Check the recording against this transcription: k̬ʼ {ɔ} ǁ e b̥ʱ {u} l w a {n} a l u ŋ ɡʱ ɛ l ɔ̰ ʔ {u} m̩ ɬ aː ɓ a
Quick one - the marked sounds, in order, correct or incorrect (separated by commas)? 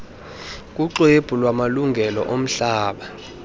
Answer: incorrect, correct, incorrect, incorrect